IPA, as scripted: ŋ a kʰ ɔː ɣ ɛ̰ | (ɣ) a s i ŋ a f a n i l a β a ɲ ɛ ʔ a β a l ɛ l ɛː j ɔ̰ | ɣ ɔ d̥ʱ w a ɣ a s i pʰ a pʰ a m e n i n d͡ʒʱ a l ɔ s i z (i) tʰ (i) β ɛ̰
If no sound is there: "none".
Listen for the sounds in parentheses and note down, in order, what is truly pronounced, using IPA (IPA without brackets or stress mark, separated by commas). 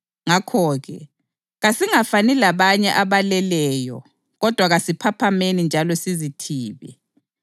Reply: ɣ, i, iː